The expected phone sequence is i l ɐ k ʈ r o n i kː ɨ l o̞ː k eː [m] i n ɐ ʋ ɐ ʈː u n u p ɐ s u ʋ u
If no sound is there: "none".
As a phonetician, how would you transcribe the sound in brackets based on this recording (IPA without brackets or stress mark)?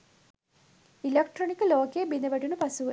b